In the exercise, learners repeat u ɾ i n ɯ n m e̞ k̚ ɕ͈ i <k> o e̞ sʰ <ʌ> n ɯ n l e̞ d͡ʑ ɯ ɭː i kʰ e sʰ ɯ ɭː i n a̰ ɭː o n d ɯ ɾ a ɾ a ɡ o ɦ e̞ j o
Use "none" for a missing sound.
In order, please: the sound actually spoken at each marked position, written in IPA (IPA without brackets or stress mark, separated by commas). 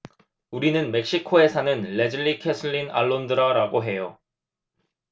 kʰ, a